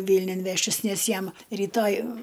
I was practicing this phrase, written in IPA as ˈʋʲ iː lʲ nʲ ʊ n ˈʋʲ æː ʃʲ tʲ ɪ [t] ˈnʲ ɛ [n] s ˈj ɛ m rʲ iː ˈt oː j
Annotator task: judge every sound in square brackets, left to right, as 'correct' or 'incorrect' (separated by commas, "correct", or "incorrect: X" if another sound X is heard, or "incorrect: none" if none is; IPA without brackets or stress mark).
incorrect: s, incorrect: none